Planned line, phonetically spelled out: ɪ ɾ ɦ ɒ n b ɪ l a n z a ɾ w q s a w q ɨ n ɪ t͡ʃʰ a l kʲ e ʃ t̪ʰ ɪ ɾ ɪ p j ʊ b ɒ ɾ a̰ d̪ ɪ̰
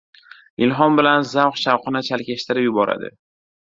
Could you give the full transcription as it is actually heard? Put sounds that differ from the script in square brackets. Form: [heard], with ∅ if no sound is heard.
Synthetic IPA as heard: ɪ [l] ɦ ɒ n b ɪ l a n z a [∅] w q [ʃ] a w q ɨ n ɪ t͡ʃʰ a l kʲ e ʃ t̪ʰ ɪ ɾ ɪ p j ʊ b ɒ ɾ a̰ d̪ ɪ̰